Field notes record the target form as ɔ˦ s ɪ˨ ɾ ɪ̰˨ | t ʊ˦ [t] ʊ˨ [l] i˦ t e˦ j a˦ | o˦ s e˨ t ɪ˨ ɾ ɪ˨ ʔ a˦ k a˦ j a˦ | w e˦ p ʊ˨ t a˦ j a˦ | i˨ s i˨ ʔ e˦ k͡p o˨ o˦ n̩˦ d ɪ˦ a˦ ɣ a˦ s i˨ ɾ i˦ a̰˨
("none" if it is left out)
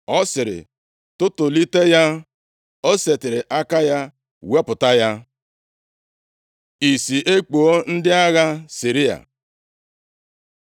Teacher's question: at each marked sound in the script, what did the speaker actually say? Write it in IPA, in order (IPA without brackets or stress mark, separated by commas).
t, l